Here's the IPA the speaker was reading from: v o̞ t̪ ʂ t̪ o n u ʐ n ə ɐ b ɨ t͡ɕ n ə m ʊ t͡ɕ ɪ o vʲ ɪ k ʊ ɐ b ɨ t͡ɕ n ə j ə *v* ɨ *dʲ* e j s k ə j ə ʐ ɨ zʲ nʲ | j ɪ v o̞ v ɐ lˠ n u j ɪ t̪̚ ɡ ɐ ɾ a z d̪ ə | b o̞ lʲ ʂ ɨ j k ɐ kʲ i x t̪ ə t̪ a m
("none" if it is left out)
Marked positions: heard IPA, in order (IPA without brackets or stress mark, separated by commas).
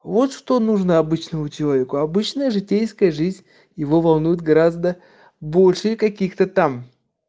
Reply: ʐ, tʲ